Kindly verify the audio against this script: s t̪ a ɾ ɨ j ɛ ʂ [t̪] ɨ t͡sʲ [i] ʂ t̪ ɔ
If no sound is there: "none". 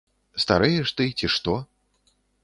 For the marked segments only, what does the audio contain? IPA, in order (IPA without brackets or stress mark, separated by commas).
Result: t̪, i